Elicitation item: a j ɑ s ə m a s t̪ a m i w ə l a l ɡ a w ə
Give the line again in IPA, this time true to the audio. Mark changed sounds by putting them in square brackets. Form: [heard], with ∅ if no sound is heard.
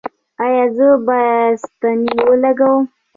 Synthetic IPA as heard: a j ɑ [z] ə [b] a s t̪ a [n] i w ə l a [∅] ɡ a w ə